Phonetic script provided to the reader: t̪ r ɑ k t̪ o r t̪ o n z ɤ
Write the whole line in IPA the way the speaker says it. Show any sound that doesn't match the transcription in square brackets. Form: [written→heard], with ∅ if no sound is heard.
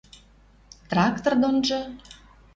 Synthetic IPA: t̪ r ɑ k t̪ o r [t̪→d̪] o n [z→ʒ] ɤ